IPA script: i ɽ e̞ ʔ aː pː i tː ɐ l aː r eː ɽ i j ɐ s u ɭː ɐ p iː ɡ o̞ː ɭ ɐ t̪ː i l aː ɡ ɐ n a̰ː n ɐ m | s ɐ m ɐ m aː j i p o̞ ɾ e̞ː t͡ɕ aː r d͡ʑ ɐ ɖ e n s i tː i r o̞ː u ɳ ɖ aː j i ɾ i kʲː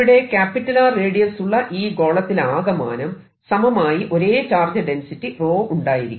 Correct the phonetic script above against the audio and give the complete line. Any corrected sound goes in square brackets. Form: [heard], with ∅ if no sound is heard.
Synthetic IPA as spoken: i ɽ e̞ [k] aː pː i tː ɐ l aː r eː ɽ i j ɐ s u ɭː ɐ [ʔ] iː ɡ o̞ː ɭ ɐ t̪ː i l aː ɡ ɐ [m] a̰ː n ɐ m | s ɐ m ɐ m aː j i [ʔ] o̞ ɾ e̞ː t͡ɕ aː r d͡ʑ ɐ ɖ e n s i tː i r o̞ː u ɳ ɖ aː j i ɾ i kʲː